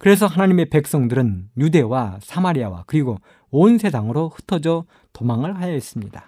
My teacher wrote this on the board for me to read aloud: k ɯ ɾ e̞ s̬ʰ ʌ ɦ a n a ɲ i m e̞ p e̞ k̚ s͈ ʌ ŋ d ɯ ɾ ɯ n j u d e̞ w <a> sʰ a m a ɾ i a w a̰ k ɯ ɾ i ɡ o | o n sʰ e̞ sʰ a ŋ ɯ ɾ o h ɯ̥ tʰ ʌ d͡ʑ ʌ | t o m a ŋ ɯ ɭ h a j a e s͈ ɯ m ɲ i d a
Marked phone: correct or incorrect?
correct